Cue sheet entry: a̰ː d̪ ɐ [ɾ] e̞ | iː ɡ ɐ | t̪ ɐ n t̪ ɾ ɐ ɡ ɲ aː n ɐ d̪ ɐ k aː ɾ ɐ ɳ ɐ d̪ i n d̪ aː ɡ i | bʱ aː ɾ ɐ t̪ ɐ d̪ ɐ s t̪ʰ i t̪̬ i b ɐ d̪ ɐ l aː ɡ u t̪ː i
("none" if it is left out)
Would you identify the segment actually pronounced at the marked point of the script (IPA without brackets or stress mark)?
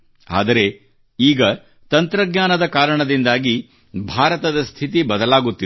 ɾ